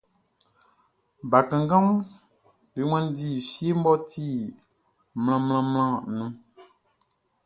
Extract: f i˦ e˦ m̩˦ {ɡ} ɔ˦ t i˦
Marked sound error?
yes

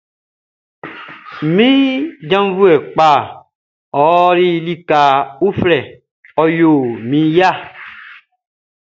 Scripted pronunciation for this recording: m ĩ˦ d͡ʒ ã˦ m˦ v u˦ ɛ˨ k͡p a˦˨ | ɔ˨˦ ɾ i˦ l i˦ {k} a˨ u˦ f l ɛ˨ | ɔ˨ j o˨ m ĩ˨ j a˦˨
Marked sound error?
no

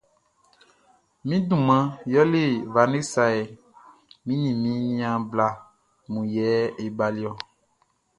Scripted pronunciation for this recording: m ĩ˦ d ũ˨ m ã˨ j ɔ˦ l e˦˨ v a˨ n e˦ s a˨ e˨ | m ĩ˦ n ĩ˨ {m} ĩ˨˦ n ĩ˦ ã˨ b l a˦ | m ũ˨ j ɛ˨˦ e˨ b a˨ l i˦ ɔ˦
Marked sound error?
no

